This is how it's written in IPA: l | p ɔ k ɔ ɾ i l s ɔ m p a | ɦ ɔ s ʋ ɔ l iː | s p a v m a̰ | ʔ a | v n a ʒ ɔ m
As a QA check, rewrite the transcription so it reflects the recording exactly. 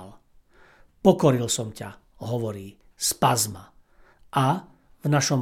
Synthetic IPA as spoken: l | p ɔ k ɔ ɾ i l s ɔ m c a | ɦ ɔ ʋ ɔ ɾ iː | s p a z m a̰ | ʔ a | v n a ʃ ɔ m